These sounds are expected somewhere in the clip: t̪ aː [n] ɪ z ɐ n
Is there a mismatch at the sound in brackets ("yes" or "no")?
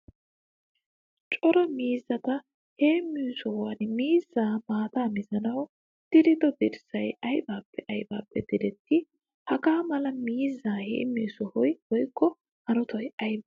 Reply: yes